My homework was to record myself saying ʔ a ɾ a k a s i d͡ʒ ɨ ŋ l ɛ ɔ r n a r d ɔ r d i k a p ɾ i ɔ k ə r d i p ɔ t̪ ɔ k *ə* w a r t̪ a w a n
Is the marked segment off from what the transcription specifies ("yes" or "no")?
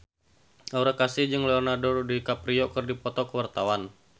no